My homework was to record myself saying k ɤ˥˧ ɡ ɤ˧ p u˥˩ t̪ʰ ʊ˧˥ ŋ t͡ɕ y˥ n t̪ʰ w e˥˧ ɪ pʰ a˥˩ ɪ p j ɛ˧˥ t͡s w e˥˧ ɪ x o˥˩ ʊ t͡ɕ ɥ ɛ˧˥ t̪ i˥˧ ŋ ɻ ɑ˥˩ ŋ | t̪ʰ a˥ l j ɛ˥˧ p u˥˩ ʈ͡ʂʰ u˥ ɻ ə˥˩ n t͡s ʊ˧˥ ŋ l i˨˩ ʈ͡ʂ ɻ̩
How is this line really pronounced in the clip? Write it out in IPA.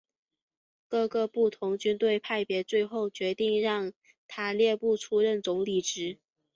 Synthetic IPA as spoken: k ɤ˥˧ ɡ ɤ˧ p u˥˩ t̪ʰ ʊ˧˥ ŋ t͡ɕ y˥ n t̪ w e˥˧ ɪ pʰ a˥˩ ɪ p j ɛ˧˥ t͡s w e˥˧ ɪ x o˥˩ ʊ t͡ɕ ɥ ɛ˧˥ t̪ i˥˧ ŋ ɻ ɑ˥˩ ŋ | t̪ʰ a˥ l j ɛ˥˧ p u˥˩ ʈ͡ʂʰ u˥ ɻ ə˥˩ n t͡s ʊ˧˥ ŋ l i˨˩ ʈ͡ʂ ɻ̩